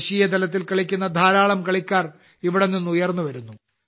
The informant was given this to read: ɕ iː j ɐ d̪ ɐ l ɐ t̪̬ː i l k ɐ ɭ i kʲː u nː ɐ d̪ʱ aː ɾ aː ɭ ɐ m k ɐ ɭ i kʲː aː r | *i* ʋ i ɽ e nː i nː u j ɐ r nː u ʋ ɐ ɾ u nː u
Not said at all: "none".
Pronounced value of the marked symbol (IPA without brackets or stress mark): i